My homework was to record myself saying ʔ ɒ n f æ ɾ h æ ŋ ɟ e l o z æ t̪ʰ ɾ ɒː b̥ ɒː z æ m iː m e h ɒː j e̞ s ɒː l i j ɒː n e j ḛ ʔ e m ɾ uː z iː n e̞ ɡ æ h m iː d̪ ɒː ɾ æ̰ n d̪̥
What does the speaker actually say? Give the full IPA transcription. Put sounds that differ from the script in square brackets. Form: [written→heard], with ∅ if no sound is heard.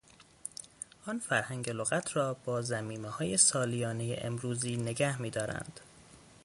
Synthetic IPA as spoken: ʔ ɒ n f æ ɾ h æ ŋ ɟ e l o [z→ɣ] æ t̪ʰ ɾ ɒː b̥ ɒː z æ m iː m e h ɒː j e̞ s ɒː l i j ɒː n e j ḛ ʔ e m ɾ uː z iː n e̞ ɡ æ h m iː d̪ ɒː ɾ æ̰ n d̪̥